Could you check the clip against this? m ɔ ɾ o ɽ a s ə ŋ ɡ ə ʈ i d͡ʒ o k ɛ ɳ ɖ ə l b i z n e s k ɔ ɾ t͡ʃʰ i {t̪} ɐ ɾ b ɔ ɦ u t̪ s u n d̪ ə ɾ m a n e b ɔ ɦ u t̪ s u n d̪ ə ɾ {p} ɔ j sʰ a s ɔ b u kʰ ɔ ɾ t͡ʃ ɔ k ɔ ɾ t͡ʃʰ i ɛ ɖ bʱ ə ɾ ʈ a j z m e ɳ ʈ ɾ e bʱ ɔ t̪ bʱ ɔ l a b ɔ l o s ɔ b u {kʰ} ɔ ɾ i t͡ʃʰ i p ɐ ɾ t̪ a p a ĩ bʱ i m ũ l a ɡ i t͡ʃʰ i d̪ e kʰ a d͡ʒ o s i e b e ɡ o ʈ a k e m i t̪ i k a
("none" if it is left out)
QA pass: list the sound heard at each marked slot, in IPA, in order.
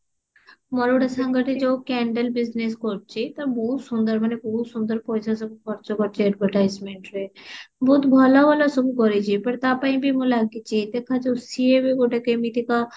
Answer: t̪, p, k

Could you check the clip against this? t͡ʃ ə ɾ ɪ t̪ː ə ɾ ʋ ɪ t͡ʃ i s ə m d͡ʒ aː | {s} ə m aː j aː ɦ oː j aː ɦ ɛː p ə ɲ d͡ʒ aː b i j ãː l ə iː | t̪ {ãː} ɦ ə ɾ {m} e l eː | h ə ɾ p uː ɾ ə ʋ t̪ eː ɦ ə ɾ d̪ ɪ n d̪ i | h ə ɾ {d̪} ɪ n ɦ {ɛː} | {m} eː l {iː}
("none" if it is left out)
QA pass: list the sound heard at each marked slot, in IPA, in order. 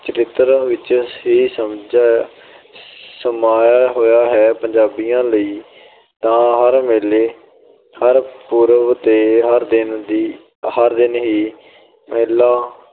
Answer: s, ãː, m, d̪, iː, m, aː

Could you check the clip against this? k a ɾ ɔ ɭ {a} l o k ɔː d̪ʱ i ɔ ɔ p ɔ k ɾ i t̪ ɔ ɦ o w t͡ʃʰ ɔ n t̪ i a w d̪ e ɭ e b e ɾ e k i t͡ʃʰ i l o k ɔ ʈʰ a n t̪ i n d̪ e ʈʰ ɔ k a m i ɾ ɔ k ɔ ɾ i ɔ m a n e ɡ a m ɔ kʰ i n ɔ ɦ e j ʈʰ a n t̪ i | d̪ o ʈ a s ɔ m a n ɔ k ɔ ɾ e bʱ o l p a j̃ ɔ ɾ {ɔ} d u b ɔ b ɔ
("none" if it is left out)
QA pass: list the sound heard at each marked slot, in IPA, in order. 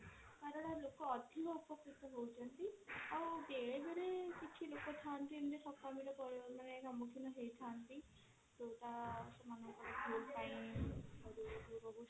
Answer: a, u

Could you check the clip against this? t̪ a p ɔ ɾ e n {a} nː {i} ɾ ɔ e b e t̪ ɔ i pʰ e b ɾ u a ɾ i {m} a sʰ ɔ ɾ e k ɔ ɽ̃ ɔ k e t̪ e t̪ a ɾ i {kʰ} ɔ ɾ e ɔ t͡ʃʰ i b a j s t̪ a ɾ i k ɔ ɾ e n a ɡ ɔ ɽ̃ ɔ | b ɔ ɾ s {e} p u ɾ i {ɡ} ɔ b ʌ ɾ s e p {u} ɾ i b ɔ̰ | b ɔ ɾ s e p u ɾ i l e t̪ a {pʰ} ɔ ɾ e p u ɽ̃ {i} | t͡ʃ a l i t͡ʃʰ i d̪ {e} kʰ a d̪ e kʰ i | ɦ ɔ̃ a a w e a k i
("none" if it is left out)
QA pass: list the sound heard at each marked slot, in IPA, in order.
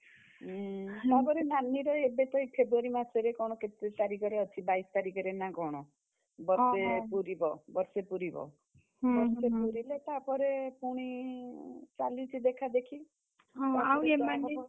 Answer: a, i, m, k, e, b, u, p, i, e

